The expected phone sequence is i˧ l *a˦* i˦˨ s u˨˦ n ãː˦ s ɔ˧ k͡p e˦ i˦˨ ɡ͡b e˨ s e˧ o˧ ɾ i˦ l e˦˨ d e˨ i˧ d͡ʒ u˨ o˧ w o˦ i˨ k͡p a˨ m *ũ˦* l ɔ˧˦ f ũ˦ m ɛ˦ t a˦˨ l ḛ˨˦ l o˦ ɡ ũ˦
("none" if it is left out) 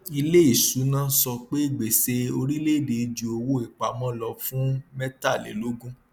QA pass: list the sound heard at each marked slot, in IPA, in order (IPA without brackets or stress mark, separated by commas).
e˦, ɔ̃˦